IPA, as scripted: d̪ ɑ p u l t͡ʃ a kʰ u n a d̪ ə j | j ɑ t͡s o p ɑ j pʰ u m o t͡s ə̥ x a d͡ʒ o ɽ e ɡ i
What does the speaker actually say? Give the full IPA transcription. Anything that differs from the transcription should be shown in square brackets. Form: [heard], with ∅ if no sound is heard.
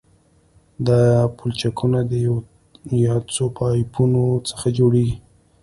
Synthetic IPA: d̪ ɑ p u l t͡ʃ a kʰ u n a d̪ ə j | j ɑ t͡s o p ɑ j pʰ u [n] o t͡s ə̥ x a d͡ʒ o ɽ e ɡ i